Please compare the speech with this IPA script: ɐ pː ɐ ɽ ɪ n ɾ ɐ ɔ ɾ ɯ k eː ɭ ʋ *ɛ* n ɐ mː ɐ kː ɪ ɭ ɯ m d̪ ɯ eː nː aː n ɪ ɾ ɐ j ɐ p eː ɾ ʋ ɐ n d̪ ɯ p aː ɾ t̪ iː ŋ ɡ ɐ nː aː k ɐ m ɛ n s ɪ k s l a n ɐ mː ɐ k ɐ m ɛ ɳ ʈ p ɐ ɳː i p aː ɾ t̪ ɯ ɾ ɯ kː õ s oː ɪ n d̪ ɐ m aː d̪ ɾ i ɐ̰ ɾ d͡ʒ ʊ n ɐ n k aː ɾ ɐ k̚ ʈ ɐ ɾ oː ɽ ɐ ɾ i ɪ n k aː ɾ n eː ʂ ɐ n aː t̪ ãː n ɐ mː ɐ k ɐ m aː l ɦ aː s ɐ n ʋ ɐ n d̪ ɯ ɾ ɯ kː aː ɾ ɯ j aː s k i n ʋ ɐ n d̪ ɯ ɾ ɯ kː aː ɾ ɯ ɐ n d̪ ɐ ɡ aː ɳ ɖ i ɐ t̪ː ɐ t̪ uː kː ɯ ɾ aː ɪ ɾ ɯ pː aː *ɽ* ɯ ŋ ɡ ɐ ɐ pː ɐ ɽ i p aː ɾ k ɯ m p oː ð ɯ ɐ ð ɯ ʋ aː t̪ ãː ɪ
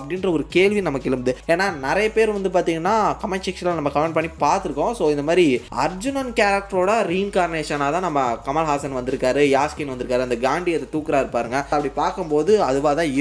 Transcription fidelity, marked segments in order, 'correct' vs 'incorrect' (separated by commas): incorrect, incorrect